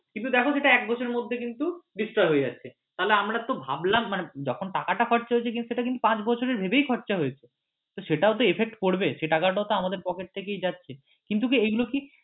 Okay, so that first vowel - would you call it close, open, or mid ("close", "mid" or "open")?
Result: close